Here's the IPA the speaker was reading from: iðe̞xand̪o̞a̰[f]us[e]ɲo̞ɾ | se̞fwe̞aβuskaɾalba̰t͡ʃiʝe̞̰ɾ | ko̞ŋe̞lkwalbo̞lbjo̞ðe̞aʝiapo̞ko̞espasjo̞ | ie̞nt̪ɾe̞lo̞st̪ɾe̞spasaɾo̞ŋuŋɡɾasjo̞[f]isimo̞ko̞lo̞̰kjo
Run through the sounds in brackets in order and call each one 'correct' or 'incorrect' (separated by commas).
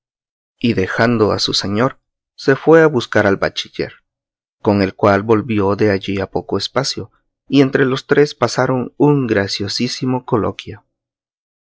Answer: incorrect, correct, incorrect